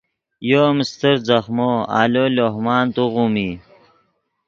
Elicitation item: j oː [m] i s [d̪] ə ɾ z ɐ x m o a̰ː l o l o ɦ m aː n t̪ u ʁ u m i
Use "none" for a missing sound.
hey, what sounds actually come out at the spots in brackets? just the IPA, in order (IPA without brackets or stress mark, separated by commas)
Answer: m, t̪